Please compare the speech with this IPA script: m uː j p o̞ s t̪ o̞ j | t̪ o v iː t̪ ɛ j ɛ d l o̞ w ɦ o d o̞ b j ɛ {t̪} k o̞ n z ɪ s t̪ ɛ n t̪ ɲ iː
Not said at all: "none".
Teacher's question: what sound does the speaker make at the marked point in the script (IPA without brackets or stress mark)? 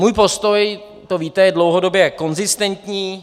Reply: none